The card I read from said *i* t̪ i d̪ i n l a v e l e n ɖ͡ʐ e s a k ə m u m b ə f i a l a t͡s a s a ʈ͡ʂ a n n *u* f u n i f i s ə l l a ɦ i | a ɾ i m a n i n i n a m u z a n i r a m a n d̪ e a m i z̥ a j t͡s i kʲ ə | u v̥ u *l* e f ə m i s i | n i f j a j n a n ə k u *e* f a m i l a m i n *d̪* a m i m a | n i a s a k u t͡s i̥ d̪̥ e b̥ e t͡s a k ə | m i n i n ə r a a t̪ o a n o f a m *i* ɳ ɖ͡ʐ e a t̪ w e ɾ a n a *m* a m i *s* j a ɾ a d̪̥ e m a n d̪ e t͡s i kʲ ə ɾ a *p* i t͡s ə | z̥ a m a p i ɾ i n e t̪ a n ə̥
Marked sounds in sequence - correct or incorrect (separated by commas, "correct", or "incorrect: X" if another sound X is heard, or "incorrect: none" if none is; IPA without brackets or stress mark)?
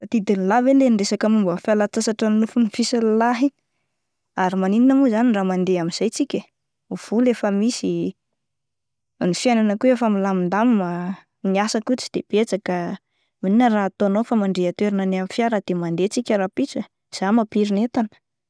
incorrect: a, correct, correct, correct, correct, incorrect: a, incorrect: n, incorrect: f, correct